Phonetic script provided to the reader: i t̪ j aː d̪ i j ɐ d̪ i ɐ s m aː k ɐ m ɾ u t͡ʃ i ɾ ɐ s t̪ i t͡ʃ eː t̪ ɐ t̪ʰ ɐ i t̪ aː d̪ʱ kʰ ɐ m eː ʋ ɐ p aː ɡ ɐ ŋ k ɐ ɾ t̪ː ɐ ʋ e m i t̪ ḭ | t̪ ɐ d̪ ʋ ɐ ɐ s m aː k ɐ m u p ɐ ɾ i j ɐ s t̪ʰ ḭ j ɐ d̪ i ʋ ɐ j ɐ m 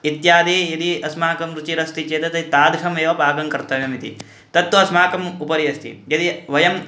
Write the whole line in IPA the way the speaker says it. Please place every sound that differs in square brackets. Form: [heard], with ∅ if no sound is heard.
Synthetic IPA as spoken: i t̪ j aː d̪ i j ɐ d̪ i ɐ s m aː k ɐ m ɾ u t͡ʃ i ɾ ɐ s t̪ i t͡ʃ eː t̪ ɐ [t̪] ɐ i t̪ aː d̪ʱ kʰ ɐ m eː ʋ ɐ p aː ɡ ɐ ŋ k ɐ ɾ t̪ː ɐ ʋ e m i t̪ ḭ | t̪ ɐ [t̪] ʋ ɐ ɐ s m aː k ɐ m u p ɐ ɾ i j ɐ s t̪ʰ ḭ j ɐ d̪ i ʋ ɐ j ɐ m